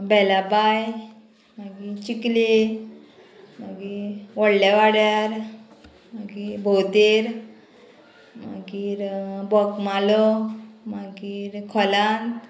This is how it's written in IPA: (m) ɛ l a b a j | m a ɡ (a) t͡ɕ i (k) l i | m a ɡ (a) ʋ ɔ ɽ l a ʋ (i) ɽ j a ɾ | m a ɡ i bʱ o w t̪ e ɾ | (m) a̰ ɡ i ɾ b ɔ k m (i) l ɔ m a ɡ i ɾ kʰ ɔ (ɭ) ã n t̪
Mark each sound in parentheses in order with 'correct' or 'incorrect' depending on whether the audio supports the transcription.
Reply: incorrect, incorrect, correct, incorrect, incorrect, correct, incorrect, incorrect

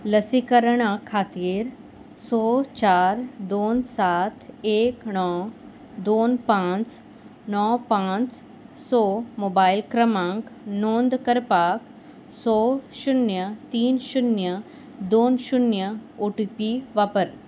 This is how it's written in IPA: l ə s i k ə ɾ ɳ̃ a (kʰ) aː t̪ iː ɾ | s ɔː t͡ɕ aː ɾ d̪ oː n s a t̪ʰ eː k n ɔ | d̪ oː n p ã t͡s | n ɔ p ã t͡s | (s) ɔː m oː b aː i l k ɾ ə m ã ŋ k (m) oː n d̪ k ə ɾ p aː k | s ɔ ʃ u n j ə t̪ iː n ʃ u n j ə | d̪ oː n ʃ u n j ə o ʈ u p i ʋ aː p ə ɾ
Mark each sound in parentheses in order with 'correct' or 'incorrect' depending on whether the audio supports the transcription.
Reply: correct, correct, incorrect

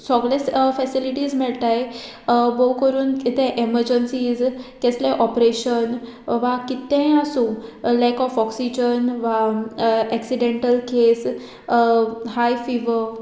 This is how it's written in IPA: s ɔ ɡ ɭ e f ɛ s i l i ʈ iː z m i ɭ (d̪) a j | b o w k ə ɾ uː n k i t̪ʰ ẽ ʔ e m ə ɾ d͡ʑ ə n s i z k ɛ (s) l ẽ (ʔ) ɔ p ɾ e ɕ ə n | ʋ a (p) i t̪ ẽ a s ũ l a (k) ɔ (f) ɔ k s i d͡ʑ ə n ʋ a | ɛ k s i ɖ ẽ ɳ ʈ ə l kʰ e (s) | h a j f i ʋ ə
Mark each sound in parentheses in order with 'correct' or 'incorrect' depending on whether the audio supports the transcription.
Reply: incorrect, correct, correct, incorrect, correct, correct, correct

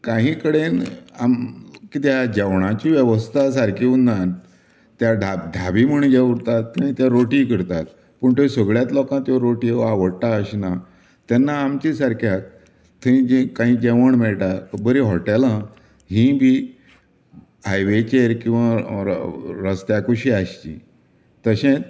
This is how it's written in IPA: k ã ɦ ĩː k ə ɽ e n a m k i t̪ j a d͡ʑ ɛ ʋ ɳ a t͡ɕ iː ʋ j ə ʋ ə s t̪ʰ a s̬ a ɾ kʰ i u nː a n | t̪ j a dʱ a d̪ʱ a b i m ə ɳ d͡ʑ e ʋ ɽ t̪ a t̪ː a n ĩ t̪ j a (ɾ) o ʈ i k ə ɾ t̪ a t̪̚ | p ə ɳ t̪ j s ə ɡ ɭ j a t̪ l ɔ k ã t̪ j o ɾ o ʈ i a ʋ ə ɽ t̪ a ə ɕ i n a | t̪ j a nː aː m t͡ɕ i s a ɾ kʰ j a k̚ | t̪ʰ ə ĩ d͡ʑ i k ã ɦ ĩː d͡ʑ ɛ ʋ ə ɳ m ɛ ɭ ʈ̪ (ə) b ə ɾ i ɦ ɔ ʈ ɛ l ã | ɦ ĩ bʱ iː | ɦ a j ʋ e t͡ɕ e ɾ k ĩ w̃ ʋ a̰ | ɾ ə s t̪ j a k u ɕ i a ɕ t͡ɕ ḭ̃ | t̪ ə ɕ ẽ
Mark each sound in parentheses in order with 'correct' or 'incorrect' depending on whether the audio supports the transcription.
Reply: correct, incorrect

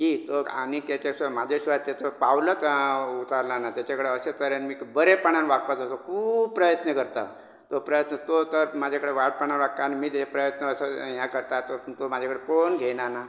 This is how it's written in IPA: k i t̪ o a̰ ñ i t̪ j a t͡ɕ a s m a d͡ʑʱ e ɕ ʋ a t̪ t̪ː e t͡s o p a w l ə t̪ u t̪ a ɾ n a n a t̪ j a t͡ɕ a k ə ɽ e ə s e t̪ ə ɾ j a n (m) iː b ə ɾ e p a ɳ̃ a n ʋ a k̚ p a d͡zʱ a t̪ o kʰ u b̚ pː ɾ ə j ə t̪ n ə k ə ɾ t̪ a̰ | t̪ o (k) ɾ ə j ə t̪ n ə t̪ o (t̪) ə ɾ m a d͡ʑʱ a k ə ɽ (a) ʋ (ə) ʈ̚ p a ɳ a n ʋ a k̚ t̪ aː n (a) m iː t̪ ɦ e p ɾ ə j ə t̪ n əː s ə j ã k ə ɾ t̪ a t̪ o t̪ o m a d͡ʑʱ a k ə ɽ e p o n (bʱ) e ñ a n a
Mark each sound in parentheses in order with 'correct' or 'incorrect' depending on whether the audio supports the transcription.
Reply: correct, incorrect, correct, incorrect, incorrect, incorrect, incorrect

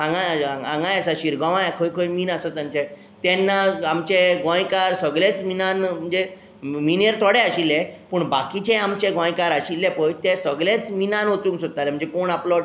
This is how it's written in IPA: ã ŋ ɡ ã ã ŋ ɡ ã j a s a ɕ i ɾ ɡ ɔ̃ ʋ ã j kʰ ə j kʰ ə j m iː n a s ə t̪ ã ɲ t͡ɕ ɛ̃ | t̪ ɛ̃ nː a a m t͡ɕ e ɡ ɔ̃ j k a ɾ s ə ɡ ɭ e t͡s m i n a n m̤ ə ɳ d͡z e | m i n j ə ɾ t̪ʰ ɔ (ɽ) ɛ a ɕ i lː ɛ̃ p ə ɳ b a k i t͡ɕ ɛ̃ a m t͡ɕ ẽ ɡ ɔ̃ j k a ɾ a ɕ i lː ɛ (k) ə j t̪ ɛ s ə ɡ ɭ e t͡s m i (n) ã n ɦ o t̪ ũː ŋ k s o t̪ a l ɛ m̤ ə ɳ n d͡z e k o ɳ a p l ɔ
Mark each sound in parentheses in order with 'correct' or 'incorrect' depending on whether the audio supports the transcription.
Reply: correct, incorrect, correct

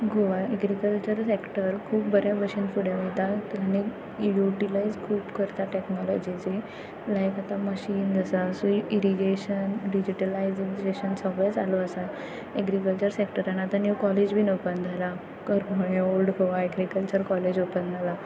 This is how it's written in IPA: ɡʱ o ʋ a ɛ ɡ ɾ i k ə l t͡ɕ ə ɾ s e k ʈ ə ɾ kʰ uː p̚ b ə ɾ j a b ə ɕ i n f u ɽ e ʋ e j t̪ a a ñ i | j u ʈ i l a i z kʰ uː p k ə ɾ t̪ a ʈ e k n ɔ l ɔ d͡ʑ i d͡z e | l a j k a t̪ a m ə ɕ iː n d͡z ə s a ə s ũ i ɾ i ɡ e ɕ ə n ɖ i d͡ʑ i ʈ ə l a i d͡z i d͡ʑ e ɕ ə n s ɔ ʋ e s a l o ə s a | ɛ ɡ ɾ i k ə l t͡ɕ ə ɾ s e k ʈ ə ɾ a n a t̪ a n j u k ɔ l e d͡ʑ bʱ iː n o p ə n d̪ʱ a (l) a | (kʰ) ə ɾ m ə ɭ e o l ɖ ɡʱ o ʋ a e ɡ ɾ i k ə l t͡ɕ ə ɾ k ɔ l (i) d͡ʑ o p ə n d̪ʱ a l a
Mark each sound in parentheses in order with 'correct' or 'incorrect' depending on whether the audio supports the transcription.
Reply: correct, incorrect, incorrect

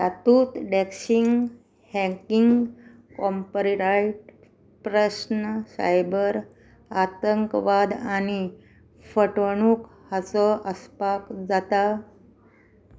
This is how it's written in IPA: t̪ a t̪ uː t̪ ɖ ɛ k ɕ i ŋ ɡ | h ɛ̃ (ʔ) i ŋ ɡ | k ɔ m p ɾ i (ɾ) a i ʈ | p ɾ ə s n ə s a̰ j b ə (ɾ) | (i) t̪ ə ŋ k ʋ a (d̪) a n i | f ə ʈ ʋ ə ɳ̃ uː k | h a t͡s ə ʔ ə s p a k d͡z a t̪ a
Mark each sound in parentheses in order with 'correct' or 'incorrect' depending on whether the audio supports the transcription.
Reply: incorrect, correct, correct, incorrect, correct

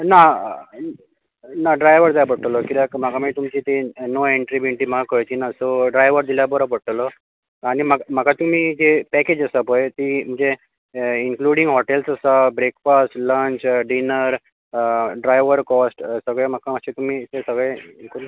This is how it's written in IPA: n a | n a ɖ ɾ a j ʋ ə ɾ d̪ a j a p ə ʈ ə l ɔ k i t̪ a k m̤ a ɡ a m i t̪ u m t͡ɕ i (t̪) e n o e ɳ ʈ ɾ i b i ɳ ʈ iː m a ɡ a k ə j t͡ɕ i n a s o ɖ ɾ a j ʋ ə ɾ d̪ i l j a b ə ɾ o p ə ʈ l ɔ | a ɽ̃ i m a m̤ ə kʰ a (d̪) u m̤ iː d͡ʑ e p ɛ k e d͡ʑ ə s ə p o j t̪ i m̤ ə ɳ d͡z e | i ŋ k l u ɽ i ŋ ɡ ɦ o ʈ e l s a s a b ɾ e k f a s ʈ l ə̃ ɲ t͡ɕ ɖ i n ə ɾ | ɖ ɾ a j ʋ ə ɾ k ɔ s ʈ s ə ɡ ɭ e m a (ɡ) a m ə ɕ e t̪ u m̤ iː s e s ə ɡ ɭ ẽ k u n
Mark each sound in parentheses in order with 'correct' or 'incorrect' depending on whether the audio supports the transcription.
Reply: correct, incorrect, incorrect

